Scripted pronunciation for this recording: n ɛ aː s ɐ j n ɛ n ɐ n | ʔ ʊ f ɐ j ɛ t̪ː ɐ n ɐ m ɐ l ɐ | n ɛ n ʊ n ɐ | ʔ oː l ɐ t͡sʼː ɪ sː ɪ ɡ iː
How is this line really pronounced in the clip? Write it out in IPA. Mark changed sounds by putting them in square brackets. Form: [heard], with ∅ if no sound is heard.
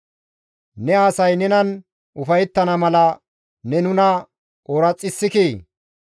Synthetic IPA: n ɛ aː s ɐ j n ɛ n ɐ n | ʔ ʊ f ɐ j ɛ t̪ː ɐ n ɐ m ɐ l ɐ | n ɛ n ʊ n ɐ | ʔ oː [ɾ] ɐ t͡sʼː ɪ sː ɪ [k] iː